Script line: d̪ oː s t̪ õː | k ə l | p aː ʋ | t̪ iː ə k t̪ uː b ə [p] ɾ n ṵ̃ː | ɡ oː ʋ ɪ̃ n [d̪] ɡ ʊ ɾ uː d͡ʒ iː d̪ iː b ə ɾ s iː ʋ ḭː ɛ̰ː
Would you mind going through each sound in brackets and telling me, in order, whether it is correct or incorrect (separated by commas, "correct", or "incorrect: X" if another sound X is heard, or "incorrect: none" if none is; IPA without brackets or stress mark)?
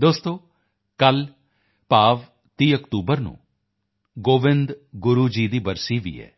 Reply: incorrect: none, correct